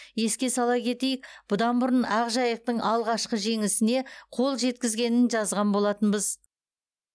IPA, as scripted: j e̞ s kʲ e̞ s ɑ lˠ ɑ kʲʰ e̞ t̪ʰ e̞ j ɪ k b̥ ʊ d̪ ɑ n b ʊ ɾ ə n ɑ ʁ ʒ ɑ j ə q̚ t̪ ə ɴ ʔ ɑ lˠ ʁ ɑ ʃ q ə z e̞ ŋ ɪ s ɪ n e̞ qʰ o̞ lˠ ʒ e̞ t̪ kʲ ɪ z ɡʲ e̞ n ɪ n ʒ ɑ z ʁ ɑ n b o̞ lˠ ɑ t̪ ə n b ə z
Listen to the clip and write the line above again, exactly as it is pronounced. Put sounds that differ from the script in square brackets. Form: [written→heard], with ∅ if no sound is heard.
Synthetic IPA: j e̞ s kʲ e̞ s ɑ lˠ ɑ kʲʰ e̞ [t̪ʰ→t̪] e̞ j ɪ k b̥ ʊ d̪ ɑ n b ʊ ɾ ə n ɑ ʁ ʒ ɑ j ə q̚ t̪ ə ɴ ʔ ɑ lˠ ʁ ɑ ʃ q ə [z→ʒ] e̞ ŋ ɪ s ɪ n e̞ qʰ o̞ lˠ ʒ e̞ t̪ kʲ ɪ z ɡʲ e̞ n ɪ n ʒ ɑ z ʁ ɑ n b o̞ lˠ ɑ t̪ ə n b ə z